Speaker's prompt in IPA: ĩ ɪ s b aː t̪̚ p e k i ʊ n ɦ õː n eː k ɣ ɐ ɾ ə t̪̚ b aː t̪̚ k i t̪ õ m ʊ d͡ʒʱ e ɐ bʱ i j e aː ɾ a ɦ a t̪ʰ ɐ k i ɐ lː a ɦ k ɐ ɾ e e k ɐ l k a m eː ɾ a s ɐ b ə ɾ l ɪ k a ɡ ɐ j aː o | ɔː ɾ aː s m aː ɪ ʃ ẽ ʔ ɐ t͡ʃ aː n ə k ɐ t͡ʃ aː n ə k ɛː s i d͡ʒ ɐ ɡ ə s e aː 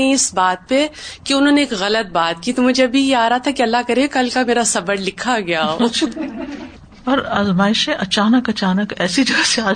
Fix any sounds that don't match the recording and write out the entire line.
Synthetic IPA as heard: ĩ ɪ s b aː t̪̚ p e k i ʊ n ɦ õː n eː k ɣ ɐ l ə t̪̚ b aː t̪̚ k i t̪ o m ʊ d͡ʒʱ e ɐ bʱ i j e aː ɾ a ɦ a t̪ʰ a k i ɐ lː a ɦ k ɐ ɾ e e k ɐ l k a m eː ɾ a s ɐ b ə ɾ l ɪ kʰ a ɡ ɐ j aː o | ɔː ɾ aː z m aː ɪ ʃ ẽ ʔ ɐ t͡ʃ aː n ə k ɐ t͡ʃ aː n ə k ɛː s i d͡ʒ ɐ ɡ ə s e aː